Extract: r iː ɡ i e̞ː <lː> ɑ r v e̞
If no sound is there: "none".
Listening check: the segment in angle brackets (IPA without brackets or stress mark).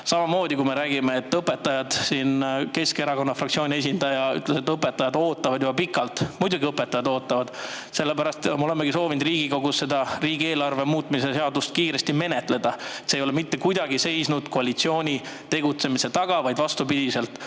l